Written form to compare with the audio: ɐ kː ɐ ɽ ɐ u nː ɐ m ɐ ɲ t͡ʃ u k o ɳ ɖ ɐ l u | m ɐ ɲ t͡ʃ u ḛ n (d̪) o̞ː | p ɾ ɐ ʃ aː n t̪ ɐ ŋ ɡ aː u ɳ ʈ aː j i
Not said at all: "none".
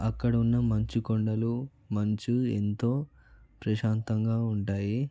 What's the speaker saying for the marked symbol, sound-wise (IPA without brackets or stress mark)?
t̪